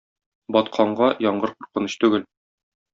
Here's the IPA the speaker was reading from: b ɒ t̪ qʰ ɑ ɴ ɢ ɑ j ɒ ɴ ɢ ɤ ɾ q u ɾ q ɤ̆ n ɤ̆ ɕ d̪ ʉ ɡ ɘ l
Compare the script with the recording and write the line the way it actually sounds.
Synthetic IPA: b ɒ t̪ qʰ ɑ ɴ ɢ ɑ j ɒ ɴ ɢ ɤ ɾ q u ɾ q ɤ̆ n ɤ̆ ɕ t̪ ʉ ɡ ɘ l